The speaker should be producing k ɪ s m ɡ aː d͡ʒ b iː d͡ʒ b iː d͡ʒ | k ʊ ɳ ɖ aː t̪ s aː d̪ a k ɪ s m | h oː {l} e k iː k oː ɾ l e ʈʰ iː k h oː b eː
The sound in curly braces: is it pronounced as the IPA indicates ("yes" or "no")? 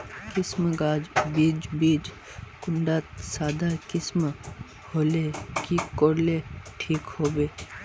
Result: yes